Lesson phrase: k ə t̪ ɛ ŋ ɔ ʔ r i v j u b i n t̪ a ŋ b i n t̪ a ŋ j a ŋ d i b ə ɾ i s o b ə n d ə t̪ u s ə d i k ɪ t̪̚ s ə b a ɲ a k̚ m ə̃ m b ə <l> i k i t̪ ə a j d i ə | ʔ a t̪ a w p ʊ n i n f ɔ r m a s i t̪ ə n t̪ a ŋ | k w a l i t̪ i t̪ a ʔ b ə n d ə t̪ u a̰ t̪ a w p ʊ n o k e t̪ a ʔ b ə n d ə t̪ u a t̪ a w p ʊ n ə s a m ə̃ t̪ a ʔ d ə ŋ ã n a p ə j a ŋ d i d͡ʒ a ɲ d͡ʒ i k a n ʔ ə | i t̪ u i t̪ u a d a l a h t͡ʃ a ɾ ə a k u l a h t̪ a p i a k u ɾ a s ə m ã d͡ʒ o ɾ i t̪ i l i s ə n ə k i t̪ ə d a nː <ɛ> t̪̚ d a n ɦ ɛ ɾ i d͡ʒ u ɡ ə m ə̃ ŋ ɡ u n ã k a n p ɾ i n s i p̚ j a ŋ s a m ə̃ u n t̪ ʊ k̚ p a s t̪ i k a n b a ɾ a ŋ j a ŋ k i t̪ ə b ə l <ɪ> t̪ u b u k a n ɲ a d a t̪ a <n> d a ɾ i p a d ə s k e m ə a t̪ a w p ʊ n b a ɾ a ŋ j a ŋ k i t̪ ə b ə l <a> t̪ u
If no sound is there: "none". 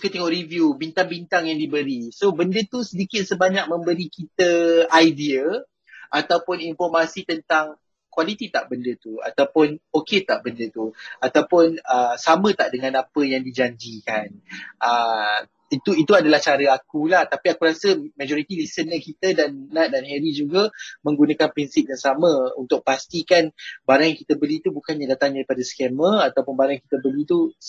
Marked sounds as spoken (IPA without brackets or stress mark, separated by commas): ɾ, a, i, ŋ, i